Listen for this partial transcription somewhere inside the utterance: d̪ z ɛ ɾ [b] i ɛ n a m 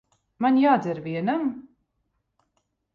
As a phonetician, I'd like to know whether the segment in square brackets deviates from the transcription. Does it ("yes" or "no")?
yes